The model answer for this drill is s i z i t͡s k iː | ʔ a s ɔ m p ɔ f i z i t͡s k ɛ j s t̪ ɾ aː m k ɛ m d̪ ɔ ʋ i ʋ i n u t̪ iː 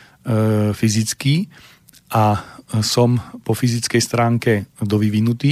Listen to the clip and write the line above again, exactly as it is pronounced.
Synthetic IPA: f i z i t͡s k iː | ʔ a s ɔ m p ɔ f i z i t͡s k ɛ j s t̪ ɾ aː ŋ k ɛ d̪ ɔ ʋ i ʋ i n u t̪ iː